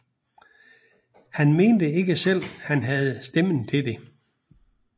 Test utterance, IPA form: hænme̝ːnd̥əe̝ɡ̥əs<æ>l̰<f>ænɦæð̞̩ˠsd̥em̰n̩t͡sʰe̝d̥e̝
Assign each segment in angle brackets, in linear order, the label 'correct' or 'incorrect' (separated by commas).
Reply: incorrect, incorrect